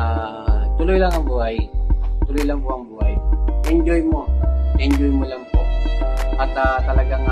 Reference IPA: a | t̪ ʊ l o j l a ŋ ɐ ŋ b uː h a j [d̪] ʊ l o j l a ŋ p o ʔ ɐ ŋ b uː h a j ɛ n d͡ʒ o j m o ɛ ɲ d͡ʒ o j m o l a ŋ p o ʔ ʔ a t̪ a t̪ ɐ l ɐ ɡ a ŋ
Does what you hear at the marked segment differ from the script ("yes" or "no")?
yes